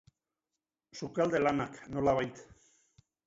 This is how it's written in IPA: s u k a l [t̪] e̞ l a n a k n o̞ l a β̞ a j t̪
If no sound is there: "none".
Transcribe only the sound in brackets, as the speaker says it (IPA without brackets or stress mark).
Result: d̪